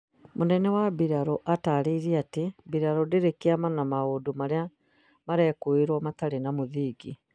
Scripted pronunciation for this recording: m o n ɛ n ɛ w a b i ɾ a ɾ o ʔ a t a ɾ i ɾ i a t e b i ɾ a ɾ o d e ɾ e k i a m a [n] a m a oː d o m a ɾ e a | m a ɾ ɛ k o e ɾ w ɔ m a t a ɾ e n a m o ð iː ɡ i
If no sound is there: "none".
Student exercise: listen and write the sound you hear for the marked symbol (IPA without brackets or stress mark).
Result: n